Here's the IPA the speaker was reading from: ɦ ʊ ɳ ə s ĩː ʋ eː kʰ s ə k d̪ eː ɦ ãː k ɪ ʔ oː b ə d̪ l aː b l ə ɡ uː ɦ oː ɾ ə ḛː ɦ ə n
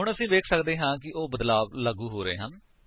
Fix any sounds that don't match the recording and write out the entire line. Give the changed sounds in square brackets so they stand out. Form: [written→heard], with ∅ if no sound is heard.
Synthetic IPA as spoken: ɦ ʊ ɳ ə s ĩː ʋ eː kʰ s ə k d̪ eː ɦ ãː k ɪ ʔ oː b ə d̪ l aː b l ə ɡ uː ɦ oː ɾ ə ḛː ɦ ə n